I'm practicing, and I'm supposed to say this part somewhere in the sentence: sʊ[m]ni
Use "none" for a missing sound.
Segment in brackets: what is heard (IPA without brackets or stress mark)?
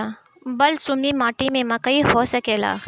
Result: m